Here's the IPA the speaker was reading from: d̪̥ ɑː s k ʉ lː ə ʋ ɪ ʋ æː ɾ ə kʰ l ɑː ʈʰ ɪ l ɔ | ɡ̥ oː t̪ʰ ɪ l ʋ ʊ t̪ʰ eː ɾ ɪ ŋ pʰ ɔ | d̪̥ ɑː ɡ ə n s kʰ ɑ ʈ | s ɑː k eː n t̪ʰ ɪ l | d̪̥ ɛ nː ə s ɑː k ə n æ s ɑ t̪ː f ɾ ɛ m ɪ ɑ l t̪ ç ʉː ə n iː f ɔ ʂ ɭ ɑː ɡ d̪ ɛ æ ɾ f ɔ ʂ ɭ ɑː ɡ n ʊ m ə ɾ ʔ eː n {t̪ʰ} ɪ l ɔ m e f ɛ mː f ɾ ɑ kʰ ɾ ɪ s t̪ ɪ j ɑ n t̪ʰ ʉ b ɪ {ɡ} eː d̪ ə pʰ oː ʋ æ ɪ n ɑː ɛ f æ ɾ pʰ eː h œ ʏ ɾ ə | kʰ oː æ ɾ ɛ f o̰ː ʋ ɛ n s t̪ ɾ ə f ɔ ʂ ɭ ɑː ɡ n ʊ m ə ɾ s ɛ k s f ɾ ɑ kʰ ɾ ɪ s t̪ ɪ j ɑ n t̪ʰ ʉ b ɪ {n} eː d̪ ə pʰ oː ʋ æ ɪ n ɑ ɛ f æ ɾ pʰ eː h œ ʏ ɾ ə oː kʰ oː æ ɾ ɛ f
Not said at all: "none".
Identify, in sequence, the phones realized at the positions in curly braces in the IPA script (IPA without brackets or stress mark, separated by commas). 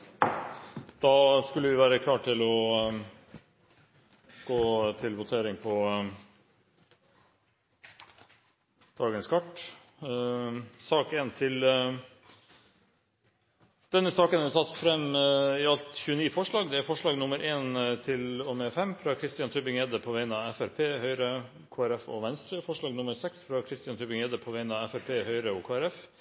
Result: t̪ʰ, ŋ, ŋ